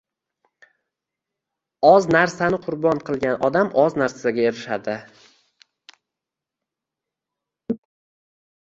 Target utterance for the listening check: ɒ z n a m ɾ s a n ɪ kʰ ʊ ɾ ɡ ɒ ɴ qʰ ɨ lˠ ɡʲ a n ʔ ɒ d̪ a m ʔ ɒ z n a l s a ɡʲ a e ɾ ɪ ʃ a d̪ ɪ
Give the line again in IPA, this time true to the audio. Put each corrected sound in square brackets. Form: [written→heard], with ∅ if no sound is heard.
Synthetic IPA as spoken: ɒ z n a [m→∅] ɾ s a n ɪ [kʰ→qʰ] ʊ ɾ [ɡ→b] ɒ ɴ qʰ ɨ lˠ ɡʲ a n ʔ ɒ d̪ a m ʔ ɒ z n a [l→ɾ] s a ɡʲ a e ɾ ɪ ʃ a d̪ ɪ

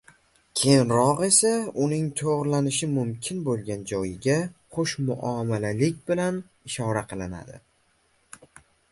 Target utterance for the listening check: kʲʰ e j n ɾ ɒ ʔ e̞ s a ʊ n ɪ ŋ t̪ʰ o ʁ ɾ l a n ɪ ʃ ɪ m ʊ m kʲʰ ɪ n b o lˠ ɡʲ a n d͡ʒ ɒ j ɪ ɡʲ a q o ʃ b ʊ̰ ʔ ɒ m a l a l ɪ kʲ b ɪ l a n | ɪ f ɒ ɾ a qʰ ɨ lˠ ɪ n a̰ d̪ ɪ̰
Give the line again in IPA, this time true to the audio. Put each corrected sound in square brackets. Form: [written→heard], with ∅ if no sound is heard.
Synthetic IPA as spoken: kʲʰ e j n ɾ ɒ [ʔ→q] e̞ s a ʊ n ɪ ŋ t̪ʰ o ʁ ɾ l a n ɪ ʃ ɪ m ʊ m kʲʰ ɪ n b o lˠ ɡʲ a n d͡ʒ ɒ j ɪ ɡʲ a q o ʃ [b→m] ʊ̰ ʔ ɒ m a l a l ɪ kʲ b ɪ l a n | ɪ [f→ʃ] ɒ ɾ a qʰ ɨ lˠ ɪ n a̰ d̪ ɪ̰

